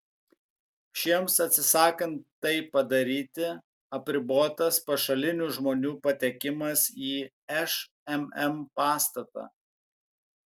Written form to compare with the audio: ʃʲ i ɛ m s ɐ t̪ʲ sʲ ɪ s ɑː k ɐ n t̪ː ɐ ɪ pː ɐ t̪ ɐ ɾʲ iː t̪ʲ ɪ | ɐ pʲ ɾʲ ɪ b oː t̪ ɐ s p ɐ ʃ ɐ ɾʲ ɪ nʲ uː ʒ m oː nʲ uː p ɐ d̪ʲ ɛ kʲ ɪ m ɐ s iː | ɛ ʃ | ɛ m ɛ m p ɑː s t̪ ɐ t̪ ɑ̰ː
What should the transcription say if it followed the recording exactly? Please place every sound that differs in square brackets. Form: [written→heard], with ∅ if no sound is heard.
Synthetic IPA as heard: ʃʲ i ɛ m s ɐ t̪ʲ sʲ ɪ s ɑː k ɐ n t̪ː ɐ ɪ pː ɐ [t̪→d̪] ɐ ɾʲ iː t̪ʲ ɪ | ɐ pʲ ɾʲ ɪ b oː t̪ ɐ s p ɐ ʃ ɐ [ɾʲ→lʲ] ɪ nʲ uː ʒ m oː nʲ uː p ɐ [d̪ʲ→t̪ʲ] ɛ kʲ ɪ m ɐ s iː | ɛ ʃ | ɛ m ɛ m p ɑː s t̪ ɐ t̪ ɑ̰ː